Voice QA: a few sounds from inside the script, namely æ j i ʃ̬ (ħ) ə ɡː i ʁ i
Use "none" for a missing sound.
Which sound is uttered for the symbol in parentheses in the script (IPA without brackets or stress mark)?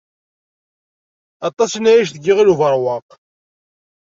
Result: θ